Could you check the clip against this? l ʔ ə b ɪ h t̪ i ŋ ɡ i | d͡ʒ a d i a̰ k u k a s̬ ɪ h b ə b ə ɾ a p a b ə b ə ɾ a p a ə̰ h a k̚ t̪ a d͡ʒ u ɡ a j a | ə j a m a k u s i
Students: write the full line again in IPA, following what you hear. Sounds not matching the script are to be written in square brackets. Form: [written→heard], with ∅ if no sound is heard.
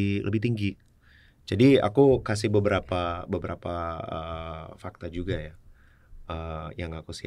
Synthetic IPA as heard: l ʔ ə b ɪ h t̪ i ŋ ɡ i | d͡ʒ a d i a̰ k u k a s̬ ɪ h b ə b ə ɾ a p a b ə b ə ɾ a p a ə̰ [h→f] a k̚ t̪ a d͡ʒ u ɡ a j a | ə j a [m→ŋ] a k u s i